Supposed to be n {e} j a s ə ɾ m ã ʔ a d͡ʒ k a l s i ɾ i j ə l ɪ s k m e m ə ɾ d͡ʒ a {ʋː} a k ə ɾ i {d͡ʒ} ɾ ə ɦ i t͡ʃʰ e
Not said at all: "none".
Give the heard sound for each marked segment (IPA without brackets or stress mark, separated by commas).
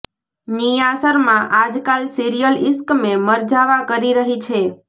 i, ʋ, none